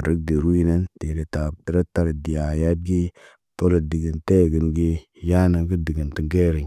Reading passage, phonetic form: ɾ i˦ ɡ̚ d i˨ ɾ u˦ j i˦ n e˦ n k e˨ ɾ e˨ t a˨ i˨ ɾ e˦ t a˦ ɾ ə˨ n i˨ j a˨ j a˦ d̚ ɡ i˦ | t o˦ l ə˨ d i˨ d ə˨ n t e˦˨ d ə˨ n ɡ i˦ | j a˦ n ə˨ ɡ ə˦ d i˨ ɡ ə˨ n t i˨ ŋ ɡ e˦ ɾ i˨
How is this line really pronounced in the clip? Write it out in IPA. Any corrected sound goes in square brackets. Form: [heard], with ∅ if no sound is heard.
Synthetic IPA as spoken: ɾ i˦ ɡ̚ d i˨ ɾ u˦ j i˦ n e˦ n [t] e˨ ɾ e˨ t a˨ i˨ ɾ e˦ t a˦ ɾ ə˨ [d] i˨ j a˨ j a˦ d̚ ɡ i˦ | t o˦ l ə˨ d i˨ [ɡ] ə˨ n t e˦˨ [ɡ] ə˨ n ɡ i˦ | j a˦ n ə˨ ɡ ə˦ d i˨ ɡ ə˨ n t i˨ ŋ ɡ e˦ ɾ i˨